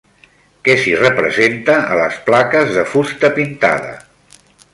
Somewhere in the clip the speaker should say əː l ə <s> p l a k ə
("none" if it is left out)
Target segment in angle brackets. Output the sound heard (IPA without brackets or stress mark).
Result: s